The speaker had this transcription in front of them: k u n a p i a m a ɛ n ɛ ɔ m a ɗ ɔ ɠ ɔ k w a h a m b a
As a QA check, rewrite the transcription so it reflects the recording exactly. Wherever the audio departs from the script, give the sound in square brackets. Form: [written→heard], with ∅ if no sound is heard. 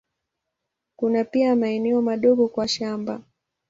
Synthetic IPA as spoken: k u n a p i a m a ɛ n ɛ ɔ m a ɗ ɔ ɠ ɔ k w a [h→ʃ] a m b a